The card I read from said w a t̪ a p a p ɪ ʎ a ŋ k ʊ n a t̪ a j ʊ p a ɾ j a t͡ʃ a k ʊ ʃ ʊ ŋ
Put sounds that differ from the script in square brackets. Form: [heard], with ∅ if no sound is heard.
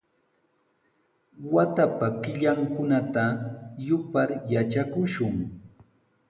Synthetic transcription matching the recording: w a t̪ a p a [k] ɪ ʎ a ŋ k ʊ n a t̪ a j ʊ p a ɾ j a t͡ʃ a k ʊ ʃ ʊ ŋ